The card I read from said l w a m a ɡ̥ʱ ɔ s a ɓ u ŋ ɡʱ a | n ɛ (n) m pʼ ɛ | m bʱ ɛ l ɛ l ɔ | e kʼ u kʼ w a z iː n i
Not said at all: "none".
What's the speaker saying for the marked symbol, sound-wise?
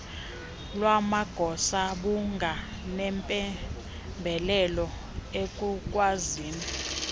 none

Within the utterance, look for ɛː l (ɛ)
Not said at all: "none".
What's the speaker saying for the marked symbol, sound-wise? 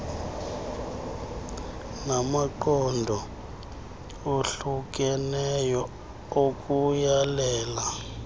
a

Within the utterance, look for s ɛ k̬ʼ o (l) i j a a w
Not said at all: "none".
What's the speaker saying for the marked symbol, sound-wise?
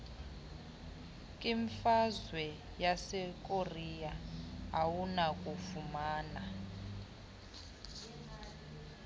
r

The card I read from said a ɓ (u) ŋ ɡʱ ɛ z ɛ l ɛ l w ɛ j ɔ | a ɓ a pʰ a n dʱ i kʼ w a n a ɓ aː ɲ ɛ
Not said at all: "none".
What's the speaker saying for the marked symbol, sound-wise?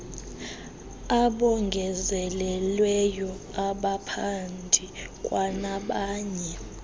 ɔ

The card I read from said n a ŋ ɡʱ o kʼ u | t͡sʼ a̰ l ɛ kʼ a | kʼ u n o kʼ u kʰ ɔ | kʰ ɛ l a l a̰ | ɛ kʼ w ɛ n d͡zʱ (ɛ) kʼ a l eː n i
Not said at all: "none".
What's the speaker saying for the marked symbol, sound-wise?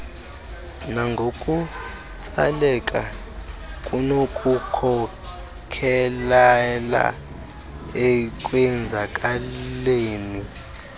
a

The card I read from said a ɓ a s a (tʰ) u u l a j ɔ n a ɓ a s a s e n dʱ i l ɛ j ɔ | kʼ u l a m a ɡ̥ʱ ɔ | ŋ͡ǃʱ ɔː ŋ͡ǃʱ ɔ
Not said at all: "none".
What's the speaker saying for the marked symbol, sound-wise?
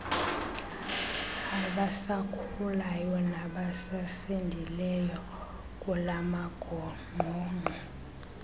kʰ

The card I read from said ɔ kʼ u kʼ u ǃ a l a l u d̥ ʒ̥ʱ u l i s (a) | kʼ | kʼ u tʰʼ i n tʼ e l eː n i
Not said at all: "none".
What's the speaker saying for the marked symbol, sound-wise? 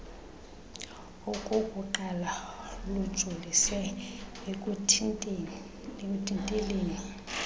ɛ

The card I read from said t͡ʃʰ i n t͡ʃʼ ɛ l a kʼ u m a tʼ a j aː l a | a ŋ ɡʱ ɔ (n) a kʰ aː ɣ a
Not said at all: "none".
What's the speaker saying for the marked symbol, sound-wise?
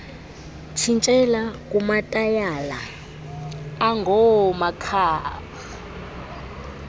m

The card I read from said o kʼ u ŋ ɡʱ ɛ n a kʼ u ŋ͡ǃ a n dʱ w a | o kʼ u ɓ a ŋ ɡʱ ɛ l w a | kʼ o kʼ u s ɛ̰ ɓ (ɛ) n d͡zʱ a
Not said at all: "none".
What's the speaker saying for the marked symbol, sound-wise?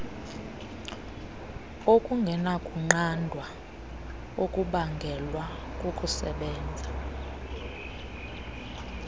ɛː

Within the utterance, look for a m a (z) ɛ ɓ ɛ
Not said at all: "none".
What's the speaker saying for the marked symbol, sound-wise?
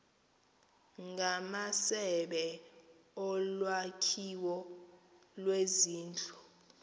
s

